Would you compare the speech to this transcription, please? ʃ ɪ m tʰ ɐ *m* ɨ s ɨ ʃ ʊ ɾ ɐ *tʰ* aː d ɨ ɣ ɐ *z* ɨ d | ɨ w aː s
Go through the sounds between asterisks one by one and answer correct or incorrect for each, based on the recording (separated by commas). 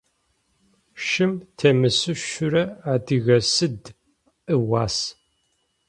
correct, incorrect, incorrect